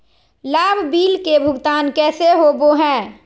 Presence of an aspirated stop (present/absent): absent